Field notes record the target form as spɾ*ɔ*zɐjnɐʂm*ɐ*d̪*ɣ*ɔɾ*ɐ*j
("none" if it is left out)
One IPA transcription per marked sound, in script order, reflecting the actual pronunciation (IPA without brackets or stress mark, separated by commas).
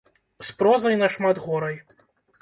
ɔ, a, ɣ, ɐ